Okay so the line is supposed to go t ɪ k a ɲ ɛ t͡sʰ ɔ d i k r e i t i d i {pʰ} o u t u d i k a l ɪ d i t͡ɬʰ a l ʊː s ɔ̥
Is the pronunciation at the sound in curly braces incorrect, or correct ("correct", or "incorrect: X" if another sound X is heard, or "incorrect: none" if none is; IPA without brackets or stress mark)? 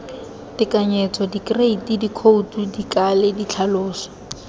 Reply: incorrect: kʰ